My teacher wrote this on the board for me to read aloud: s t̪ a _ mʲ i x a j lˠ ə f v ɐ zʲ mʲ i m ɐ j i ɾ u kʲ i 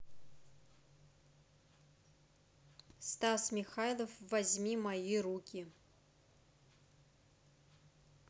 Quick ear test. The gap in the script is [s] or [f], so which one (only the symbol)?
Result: s